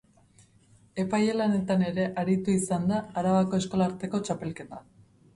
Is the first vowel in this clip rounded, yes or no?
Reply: no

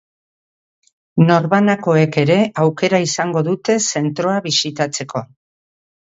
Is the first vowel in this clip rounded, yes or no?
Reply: yes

